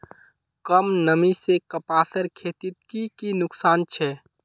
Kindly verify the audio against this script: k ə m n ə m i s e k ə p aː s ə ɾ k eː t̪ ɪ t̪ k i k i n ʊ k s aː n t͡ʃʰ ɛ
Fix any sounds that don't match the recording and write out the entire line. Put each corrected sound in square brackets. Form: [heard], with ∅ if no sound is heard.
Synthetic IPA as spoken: k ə m n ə m i s e k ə p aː s ə ɾ [kʰ] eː t̪ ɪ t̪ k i k i n ʊ k s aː n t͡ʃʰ ɛ